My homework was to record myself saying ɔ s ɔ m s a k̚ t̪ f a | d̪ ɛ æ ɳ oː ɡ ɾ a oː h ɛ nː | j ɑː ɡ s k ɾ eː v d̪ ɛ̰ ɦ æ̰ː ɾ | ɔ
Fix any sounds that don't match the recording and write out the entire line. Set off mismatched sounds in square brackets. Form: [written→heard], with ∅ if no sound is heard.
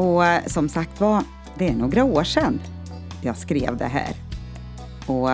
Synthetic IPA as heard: ɔ s ɔ m s a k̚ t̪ [f→v] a | d̪ ɛ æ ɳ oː ɡ ɾ a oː [h→ʂ] ɛ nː | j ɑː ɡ s k ɾ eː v d̪ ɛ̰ ɦ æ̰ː ɾ | ɔ